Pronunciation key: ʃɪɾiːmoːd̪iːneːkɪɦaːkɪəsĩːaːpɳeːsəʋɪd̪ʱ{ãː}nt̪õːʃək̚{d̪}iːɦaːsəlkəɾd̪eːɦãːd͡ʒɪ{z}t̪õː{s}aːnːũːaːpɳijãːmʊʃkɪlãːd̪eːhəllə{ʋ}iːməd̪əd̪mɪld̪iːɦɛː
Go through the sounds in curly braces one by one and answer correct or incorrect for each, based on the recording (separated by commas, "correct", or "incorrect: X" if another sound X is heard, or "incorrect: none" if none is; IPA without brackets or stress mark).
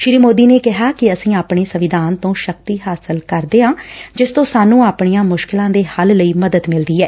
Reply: incorrect: aː, incorrect: t̪, incorrect: s, correct, incorrect: none